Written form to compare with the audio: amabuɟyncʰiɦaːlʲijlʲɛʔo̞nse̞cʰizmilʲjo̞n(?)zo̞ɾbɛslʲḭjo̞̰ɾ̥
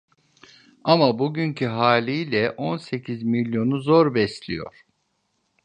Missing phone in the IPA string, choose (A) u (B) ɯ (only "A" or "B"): A